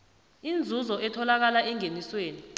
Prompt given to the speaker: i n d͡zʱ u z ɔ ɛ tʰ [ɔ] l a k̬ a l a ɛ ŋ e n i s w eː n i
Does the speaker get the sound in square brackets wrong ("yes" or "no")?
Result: no